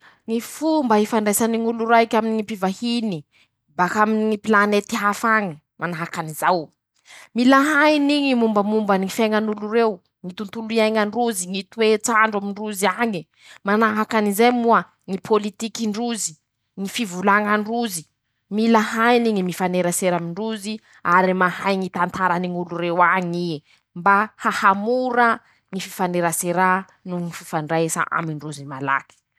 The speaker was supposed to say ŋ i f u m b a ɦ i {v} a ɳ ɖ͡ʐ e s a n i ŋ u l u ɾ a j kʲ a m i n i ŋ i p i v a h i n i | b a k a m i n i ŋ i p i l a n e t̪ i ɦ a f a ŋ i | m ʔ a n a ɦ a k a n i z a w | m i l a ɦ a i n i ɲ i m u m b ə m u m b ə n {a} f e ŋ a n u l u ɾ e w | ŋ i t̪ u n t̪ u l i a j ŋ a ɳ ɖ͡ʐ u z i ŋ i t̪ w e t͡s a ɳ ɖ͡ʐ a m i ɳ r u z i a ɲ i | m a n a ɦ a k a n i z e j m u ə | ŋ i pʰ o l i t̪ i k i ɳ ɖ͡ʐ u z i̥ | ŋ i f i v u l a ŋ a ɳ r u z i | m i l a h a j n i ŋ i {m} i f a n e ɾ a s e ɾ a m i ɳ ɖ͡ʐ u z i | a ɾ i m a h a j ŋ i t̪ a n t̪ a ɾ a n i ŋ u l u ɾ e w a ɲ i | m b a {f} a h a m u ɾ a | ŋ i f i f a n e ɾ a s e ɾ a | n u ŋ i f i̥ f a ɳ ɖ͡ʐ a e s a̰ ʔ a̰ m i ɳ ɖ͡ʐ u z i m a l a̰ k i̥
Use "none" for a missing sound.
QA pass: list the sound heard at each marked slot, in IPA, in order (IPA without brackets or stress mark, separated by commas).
f, i, m, h